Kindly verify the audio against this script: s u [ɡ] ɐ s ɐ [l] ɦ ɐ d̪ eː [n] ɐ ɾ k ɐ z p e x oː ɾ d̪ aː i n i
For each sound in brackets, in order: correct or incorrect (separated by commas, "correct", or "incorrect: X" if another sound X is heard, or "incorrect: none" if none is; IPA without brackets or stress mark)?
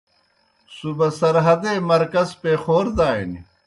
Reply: incorrect: b, incorrect: ɾ, incorrect: m